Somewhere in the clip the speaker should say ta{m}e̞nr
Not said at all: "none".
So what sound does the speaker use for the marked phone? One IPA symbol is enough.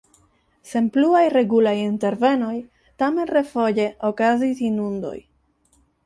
m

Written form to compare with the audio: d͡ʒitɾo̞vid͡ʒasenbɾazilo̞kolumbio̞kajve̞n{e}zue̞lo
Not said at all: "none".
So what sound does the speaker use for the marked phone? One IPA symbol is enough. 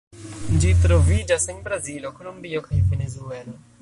e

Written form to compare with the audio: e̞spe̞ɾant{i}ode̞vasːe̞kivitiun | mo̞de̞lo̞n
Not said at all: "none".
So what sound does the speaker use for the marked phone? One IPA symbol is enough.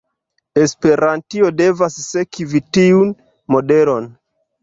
i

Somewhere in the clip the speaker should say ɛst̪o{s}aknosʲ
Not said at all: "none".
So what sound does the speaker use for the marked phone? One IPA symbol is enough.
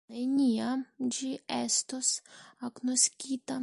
s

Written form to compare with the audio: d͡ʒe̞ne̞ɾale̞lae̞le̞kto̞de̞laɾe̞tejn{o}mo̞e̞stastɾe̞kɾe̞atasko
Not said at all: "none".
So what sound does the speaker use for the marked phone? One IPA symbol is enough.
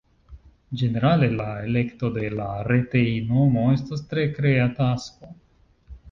o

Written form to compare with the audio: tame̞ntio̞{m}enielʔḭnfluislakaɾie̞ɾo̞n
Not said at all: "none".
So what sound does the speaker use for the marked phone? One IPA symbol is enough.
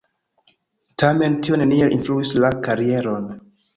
n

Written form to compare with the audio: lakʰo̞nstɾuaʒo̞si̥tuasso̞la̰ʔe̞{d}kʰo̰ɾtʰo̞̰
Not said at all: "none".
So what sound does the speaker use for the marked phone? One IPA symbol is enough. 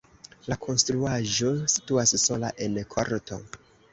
n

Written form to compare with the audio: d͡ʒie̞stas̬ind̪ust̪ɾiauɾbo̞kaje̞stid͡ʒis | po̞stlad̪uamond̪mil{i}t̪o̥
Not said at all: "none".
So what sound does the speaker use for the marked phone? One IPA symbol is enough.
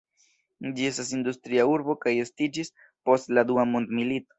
i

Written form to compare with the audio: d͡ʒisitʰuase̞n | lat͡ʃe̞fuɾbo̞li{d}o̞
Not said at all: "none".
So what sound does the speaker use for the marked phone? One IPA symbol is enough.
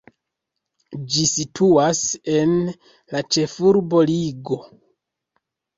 ɡ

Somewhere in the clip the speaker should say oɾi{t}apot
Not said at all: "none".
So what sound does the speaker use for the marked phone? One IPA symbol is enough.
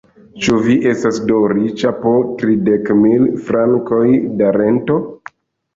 t͡ʃ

